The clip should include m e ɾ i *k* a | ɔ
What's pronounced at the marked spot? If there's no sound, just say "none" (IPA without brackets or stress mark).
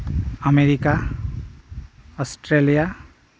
k